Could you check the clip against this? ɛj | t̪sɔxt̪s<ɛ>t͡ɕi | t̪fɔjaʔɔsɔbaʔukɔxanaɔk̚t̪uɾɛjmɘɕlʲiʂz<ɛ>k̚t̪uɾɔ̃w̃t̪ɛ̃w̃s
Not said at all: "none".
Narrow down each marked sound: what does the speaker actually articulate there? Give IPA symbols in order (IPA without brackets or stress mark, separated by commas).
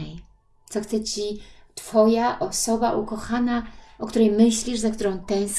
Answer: ɛ, a